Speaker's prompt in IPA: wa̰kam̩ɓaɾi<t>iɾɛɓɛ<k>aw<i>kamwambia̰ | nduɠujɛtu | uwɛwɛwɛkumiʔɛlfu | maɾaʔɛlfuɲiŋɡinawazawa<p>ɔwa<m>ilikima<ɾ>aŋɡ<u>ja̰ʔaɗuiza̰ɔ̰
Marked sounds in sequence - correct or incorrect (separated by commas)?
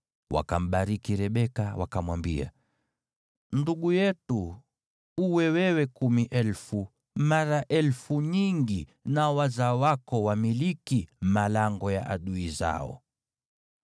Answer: incorrect, correct, incorrect, incorrect, correct, incorrect, incorrect